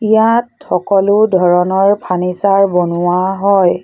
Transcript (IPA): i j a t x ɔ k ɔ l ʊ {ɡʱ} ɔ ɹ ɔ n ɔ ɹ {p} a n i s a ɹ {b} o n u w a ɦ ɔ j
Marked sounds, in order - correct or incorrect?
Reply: incorrect: dʱ, incorrect: pʰ, correct

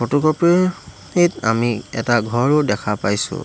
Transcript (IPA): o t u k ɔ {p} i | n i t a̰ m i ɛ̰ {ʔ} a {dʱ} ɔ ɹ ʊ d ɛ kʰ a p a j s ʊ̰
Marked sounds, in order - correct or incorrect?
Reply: correct, incorrect: t, incorrect: ɡʱ

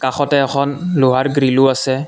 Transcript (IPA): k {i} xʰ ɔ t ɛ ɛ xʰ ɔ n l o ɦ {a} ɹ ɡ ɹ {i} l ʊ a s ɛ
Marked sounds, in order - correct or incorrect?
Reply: incorrect: a, correct, correct

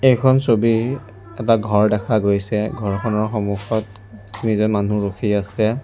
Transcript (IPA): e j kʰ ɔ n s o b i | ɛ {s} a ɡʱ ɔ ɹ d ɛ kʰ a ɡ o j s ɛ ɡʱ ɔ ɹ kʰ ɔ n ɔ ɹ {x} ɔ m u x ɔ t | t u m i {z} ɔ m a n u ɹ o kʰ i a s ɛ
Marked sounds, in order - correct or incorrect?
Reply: incorrect: t, correct, correct

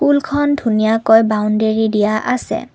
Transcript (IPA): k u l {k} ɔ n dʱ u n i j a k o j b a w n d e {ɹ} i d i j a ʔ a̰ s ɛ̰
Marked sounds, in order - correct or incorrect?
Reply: incorrect: kʰ, correct

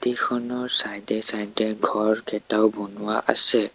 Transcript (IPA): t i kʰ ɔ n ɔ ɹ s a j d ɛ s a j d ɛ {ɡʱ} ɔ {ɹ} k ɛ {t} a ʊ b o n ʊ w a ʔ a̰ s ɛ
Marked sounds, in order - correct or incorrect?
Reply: correct, correct, correct

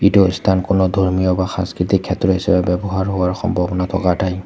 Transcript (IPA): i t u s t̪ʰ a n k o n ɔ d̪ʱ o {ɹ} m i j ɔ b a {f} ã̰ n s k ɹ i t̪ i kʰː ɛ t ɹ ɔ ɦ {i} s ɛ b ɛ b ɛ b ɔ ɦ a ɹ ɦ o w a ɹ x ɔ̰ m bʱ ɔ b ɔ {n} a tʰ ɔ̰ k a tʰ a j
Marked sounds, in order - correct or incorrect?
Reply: correct, incorrect: x, correct, correct

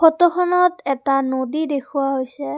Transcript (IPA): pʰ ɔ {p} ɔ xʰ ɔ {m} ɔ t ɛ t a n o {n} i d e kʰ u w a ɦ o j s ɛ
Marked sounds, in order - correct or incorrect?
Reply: incorrect: t, incorrect: n, incorrect: d

